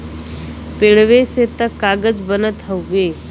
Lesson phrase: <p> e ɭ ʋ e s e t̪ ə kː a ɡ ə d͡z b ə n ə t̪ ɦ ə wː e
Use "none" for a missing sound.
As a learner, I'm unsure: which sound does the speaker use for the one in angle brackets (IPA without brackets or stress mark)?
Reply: p